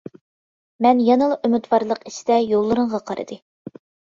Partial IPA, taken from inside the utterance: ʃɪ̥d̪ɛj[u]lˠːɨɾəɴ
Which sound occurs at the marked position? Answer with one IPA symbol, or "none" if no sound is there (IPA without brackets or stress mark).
o